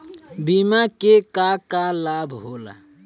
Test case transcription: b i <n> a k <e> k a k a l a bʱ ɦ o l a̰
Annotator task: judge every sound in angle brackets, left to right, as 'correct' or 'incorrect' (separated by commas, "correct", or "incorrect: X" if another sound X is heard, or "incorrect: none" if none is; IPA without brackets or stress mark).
incorrect: m, correct